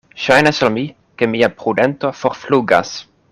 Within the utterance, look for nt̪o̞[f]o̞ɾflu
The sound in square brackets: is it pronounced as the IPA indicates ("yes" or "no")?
yes